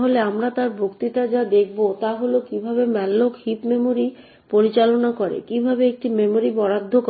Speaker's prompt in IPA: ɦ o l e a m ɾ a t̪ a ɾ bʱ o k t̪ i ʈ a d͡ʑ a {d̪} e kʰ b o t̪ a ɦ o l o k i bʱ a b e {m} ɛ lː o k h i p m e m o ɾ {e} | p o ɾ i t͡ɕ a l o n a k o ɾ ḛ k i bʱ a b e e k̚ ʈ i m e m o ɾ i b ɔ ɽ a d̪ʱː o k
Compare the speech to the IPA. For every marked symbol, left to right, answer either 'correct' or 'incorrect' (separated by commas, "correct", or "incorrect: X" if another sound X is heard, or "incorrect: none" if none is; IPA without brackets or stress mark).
correct, correct, incorrect: i